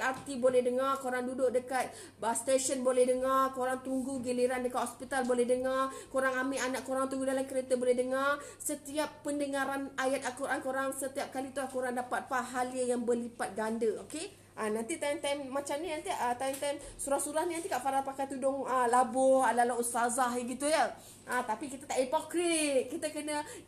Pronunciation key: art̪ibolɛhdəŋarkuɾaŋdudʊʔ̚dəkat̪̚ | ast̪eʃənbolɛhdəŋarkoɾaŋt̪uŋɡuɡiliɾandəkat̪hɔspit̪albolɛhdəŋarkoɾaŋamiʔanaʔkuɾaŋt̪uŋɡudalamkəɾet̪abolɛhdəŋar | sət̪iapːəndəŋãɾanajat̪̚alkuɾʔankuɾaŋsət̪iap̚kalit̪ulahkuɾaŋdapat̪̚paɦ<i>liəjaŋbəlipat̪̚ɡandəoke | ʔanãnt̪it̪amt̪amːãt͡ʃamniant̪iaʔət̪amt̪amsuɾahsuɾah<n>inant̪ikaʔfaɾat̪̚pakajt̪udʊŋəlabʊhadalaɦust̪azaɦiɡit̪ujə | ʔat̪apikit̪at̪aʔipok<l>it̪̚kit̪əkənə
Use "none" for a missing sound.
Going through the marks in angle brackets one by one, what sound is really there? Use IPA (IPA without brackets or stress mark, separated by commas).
a, n, ɾ